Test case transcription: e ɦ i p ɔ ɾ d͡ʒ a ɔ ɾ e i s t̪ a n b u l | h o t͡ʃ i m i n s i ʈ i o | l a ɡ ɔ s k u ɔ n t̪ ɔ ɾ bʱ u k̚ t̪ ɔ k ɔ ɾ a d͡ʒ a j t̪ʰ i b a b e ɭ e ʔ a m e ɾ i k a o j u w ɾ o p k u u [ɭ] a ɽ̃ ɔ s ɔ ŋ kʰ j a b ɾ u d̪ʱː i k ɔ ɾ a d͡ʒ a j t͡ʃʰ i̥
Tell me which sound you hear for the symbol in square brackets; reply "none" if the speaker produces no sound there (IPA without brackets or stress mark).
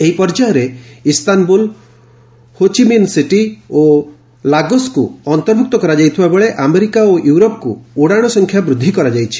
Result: ɽ